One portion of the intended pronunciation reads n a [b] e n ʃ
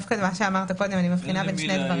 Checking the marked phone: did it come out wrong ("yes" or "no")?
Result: no